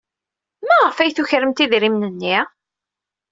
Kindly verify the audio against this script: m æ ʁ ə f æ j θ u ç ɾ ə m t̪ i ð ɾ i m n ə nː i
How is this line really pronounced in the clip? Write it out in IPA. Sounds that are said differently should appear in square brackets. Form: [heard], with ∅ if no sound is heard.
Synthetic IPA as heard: m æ ʁ ə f æ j θ u ç ɾ ə m t̪ i ð ɾ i m n ə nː i

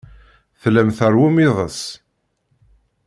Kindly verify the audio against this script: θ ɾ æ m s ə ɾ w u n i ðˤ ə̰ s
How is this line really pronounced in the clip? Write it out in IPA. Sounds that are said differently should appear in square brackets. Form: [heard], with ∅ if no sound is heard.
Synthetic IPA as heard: θ [l] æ m [θ] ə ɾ w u [m] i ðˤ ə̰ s

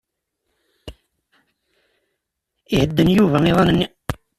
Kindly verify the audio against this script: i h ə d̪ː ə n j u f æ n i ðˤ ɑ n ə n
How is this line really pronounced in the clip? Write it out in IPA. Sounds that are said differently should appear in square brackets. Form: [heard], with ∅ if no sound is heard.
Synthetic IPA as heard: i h ə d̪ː ə n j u [v] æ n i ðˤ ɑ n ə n

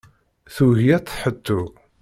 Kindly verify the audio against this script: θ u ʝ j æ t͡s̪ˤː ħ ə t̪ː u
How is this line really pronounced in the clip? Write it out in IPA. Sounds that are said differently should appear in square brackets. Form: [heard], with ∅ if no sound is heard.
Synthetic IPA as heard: θ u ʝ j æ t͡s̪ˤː ħ ə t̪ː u

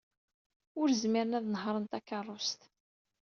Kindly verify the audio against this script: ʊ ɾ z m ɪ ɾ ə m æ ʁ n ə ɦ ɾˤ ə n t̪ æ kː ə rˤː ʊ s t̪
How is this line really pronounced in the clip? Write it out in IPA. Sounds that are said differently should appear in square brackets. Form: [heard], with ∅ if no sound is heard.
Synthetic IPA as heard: ʊ ɾ z m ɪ ɾ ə [n] æ [ð] n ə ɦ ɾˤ ə n t̪ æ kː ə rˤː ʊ s t̪

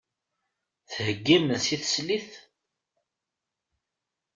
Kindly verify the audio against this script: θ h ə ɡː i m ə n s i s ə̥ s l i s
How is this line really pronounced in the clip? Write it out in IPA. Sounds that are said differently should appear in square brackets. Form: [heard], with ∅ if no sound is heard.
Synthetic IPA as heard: θ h ə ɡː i m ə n s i [θ] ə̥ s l i [θ]

